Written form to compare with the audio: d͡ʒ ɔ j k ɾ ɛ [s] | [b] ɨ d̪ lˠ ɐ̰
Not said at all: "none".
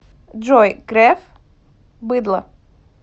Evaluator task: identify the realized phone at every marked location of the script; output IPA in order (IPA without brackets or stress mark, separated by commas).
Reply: f, b